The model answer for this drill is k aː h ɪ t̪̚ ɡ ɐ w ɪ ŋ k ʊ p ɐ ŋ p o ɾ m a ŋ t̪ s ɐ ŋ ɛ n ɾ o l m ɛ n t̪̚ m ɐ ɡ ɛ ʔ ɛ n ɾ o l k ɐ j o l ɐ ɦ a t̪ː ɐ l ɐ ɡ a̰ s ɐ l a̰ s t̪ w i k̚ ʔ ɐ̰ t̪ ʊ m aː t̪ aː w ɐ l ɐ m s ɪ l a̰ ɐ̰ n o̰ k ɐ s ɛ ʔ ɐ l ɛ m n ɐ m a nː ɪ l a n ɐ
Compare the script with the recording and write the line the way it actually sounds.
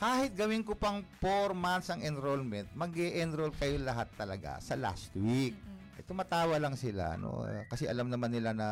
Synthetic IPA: k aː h ɪ t̪̚ ɡ ɐ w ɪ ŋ k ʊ p ɐ ŋ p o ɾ m a n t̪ s ɐ ŋ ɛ n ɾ o l m ɛ n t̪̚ m ɐ ɡ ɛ ʔ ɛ n ɾ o l k ɐ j o l ɐ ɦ a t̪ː ɐ l ɐ ɡ a̰ s ɐ l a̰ s t̪ w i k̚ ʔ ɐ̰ t̪ ʊ m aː t̪ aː w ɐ l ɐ ŋ s ɪ l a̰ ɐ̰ n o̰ k ɐ s ɛ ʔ ɐ l a m n ɐ m a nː ɪ l a n ɐ